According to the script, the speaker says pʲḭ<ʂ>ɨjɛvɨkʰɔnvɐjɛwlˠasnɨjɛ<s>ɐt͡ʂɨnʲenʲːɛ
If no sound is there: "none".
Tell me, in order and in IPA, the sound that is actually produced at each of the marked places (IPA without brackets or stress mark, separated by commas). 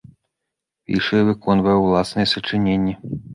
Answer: ʂ, s